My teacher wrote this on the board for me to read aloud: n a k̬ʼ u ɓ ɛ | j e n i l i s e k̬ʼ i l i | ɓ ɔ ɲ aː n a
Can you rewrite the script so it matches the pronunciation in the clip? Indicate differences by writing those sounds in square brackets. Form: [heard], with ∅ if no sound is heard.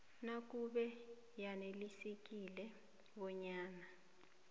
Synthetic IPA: n a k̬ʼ u ɓ ɛ | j [a] n [e] l i s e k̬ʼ i l [ɛ] | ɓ ɔ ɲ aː n a